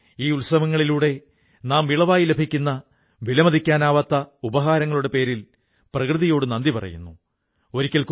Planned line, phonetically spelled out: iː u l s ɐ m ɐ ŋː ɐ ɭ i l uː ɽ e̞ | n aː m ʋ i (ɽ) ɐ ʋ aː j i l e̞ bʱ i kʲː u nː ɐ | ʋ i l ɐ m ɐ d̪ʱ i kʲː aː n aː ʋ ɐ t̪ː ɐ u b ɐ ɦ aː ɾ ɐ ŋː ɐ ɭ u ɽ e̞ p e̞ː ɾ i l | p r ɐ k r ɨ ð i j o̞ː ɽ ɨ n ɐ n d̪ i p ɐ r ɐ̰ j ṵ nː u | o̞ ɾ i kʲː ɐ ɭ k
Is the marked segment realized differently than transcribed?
yes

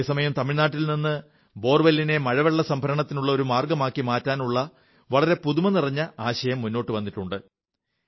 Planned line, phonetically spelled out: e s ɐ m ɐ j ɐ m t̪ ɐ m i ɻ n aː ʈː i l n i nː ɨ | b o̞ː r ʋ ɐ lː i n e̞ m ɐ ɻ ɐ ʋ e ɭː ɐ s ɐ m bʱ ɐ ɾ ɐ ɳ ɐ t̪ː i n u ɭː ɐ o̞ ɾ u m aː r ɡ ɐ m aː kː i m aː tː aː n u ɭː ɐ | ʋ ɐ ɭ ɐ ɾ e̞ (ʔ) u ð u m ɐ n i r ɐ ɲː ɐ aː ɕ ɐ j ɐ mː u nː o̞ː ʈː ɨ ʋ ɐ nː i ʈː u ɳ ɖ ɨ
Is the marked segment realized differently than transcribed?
yes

